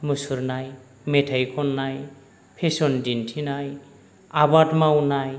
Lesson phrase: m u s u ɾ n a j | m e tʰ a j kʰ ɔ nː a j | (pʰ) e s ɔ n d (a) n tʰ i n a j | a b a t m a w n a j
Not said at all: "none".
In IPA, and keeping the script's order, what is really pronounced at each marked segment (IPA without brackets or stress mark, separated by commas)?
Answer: pʰ, i